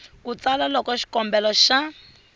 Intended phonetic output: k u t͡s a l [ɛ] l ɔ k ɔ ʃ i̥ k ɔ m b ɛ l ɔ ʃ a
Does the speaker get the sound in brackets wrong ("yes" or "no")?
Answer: yes